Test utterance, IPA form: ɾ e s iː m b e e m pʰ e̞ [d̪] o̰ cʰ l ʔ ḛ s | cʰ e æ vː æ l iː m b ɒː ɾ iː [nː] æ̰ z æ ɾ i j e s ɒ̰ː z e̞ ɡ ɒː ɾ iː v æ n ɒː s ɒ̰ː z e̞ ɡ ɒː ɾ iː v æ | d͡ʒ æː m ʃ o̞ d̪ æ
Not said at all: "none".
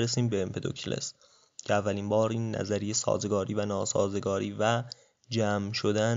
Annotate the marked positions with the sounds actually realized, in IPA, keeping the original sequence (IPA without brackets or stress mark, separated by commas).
d̪, nː